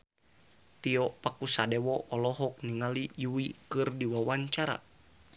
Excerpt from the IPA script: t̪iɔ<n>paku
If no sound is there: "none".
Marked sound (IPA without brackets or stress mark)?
none